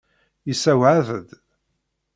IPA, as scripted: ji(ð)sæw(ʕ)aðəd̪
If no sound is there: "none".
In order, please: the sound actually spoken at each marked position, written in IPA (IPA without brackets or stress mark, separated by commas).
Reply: none, ʕ